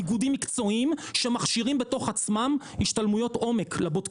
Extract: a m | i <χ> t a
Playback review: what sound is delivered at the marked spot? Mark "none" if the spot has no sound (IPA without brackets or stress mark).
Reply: ʃ